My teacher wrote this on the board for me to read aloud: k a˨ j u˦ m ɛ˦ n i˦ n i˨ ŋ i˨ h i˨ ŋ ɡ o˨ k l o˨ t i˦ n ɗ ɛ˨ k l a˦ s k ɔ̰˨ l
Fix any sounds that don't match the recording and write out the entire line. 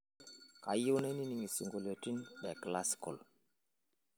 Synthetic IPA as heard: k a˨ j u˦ n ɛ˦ n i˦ n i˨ ŋ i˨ s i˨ ŋ ɡ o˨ l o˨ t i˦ n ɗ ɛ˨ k l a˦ s k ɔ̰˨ l